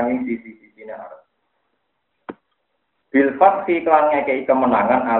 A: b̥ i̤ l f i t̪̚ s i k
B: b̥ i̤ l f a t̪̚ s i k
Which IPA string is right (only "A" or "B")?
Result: B